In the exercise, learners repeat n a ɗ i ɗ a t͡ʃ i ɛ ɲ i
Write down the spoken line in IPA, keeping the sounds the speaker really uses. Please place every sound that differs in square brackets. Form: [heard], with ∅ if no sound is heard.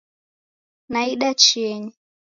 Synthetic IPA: n a [∅] i ɗ a t͡ʃ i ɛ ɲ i

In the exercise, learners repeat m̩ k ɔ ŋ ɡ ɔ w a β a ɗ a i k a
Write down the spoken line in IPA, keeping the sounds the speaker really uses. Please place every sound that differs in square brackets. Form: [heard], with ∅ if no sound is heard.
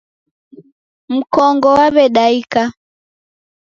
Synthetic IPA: m̩ k ɔ ŋ ɡ ɔ w a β [ɛ] ɗ a i k a

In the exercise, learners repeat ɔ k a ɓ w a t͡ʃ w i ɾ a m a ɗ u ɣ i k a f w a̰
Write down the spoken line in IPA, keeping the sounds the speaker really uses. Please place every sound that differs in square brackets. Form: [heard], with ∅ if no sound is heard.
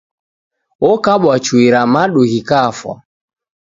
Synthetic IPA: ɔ k a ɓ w a t͡ʃ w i ɾ a m a ɗ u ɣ i k a f w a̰

